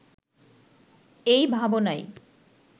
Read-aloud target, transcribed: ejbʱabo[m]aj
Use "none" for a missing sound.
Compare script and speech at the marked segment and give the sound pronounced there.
n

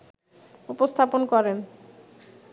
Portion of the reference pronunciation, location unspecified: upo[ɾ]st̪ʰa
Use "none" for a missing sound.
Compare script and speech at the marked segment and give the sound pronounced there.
none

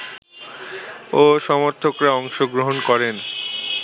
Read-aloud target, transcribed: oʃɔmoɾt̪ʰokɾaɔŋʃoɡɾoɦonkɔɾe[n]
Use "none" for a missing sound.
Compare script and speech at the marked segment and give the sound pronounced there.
n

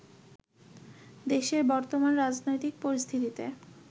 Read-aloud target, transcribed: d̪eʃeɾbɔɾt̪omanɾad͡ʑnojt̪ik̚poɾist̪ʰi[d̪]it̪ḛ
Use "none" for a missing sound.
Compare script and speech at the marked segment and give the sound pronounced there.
t̪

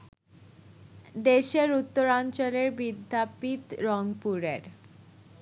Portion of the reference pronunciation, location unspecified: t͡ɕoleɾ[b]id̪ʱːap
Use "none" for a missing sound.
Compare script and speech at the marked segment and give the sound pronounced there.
b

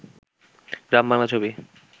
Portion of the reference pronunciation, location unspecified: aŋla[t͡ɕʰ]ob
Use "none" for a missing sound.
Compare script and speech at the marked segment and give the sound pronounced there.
t͡ɕʰ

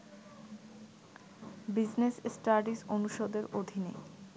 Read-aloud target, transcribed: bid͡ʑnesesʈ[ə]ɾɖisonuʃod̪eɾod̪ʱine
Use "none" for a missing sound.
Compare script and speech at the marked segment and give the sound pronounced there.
a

